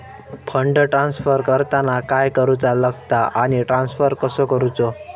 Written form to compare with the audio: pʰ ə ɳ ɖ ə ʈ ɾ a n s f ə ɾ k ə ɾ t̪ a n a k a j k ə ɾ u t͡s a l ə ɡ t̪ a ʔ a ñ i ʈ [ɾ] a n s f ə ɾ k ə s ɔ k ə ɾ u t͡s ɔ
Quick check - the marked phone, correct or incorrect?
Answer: correct